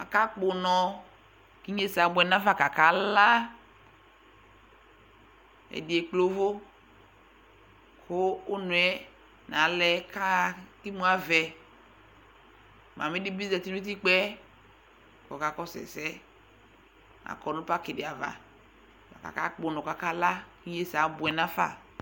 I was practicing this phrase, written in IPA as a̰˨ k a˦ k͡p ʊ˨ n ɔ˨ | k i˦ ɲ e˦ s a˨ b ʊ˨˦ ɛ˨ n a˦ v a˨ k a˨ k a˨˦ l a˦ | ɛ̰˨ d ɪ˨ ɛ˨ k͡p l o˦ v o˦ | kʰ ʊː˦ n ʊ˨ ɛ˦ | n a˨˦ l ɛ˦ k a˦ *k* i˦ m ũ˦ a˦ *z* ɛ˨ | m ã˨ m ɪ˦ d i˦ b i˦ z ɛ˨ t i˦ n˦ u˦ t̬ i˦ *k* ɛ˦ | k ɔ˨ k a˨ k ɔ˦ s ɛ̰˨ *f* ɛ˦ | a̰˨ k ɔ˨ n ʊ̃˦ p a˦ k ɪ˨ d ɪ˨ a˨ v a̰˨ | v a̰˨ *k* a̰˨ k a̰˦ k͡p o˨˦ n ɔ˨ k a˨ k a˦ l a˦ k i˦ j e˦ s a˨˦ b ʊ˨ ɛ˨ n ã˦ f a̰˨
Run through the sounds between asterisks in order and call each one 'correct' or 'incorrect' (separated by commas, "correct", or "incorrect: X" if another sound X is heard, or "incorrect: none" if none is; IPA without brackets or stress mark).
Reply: correct, incorrect: v, incorrect: k͡p, incorrect: s, correct